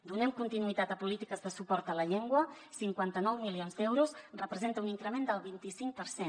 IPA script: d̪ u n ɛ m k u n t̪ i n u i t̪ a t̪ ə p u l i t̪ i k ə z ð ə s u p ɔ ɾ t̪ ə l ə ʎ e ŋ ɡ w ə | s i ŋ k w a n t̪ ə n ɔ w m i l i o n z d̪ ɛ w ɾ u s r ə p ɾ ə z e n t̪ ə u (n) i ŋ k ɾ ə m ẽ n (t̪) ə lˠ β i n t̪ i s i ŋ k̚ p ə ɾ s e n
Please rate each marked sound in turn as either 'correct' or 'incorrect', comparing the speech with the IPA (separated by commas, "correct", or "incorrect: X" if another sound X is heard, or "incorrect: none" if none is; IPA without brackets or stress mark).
correct, incorrect: d̪